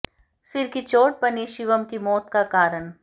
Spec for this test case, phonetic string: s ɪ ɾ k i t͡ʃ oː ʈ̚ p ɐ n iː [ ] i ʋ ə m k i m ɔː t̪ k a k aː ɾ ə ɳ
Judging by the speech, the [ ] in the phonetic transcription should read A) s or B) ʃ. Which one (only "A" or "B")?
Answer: B